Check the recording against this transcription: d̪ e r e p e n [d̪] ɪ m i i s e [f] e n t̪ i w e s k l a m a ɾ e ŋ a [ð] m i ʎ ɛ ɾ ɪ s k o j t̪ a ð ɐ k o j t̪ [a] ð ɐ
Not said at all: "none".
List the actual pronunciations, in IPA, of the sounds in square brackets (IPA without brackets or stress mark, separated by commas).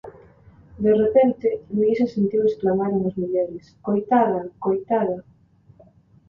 t̪, s, z, a